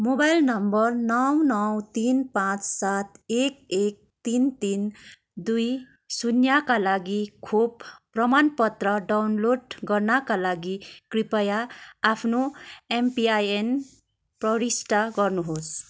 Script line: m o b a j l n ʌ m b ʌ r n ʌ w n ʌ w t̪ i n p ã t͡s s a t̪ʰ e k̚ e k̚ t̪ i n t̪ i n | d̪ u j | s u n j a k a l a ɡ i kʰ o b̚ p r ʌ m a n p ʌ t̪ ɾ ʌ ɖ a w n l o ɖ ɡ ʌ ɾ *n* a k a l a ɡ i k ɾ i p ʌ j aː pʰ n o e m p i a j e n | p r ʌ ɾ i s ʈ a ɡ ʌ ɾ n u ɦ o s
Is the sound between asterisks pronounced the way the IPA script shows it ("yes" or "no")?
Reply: yes